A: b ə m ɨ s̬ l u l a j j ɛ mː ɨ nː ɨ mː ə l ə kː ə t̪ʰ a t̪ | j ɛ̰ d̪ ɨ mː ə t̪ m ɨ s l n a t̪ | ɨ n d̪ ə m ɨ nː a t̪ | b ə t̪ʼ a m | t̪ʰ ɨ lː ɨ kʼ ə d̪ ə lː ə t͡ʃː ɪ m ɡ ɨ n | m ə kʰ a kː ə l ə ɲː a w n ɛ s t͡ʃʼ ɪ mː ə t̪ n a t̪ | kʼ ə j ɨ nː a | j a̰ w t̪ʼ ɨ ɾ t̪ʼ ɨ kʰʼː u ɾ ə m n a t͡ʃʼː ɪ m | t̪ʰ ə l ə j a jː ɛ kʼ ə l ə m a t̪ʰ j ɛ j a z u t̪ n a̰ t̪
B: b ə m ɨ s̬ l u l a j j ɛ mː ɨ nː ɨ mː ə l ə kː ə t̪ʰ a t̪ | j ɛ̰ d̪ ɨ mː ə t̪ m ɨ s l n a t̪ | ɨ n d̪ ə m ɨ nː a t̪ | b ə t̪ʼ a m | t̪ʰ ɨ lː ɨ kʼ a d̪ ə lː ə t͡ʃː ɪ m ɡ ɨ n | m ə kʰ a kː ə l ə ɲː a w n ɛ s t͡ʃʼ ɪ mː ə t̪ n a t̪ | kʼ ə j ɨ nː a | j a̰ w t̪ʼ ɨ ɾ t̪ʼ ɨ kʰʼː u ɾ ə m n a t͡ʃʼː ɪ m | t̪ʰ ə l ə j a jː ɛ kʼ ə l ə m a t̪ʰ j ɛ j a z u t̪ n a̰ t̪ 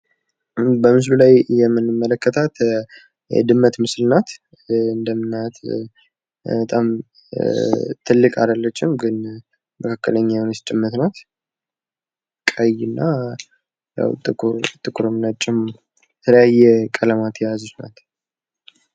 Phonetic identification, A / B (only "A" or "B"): B